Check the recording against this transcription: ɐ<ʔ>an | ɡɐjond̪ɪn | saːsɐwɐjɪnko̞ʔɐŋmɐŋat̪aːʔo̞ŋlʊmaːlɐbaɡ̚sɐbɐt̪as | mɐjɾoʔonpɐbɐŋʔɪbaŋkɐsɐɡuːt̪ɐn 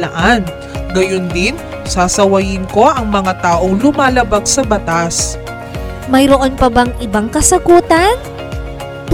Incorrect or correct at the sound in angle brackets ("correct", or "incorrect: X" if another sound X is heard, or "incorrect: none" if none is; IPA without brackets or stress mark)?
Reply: correct